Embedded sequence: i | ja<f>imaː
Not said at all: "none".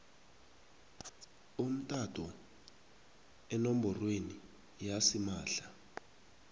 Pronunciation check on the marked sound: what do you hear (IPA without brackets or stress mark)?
s